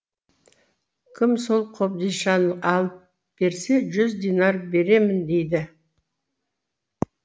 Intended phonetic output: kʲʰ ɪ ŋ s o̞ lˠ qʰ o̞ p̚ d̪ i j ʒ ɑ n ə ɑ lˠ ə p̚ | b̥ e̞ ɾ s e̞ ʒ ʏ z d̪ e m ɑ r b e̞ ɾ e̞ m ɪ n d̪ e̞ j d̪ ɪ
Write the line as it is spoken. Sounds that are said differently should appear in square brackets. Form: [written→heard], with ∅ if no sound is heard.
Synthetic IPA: kʲʰ ɪ [ŋ→m] s o̞ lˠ qʰ o̞ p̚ d̪ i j [ʒ→ʃ] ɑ n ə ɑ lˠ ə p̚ | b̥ e̞ ɾ s e̞ ʒ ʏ z d̪ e [m→n] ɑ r b e̞ ɾ e̞ m ɪ n d̪ e̞ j d̪ ɪ